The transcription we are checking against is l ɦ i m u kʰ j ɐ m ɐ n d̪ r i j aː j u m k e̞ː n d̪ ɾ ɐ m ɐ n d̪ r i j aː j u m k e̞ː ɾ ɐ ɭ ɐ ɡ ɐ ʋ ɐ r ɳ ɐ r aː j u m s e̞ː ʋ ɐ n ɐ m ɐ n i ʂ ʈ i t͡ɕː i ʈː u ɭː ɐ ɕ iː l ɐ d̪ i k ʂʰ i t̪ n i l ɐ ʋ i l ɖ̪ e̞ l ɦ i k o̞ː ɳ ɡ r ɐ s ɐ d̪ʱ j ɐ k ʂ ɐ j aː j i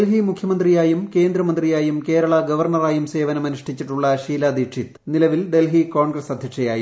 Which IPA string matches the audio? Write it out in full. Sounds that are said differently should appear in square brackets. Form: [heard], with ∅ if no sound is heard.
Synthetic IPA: l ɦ i m u kʰ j ɐ m ɐ n d̪ r i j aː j u m k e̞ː n d̪ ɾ ɐ m ɐ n d̪ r i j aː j u m k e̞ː ɾ ɐ ɭ ɐ ɡ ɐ ʋ ɐ r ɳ ɐ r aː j u m s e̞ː ʋ ɐ n ɐ m ɐ n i ʂ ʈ i t͡ɕː i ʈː u ɭː ɐ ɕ iː l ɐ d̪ i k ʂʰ i t̪ n i l ɐ ʋ i l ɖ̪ e̞ l ɦ i k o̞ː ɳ ɡ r ɐ s ɐ d̪ʱ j ɐ k ʂ ɐ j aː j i